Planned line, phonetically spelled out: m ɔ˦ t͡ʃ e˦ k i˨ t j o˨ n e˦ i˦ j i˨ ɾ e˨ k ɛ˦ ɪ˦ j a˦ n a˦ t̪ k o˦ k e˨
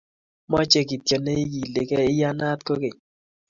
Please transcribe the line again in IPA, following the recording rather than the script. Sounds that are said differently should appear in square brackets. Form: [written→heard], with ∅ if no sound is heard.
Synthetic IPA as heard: m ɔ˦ t͡ʃ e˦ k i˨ t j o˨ n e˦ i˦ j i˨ [ɾ→l] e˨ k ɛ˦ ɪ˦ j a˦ n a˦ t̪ k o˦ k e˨